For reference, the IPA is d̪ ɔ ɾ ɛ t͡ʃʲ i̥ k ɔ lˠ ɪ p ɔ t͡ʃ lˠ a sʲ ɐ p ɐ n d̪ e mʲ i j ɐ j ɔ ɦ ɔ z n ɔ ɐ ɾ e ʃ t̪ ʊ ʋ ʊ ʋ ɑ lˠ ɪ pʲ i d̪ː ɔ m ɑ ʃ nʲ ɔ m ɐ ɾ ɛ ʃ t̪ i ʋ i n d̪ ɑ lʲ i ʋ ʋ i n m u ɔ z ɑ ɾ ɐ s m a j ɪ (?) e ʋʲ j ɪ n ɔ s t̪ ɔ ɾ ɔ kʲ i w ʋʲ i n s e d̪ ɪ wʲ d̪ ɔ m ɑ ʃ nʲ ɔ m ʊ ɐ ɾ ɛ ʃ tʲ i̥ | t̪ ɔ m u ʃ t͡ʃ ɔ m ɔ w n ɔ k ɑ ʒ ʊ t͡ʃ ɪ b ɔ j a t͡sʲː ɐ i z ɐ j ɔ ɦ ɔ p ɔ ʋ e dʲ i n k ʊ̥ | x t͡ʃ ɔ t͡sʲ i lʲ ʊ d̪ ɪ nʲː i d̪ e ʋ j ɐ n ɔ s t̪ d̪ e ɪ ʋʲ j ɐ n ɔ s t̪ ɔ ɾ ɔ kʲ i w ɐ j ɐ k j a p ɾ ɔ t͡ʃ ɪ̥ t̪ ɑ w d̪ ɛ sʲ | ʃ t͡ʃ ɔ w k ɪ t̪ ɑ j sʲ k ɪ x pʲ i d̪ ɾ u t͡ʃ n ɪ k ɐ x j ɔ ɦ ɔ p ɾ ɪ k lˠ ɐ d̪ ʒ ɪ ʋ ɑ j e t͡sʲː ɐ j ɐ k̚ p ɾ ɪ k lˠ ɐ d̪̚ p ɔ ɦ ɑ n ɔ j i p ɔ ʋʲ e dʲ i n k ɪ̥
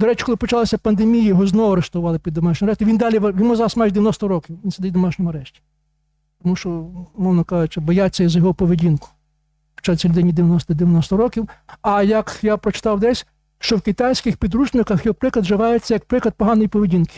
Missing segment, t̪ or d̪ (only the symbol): d̪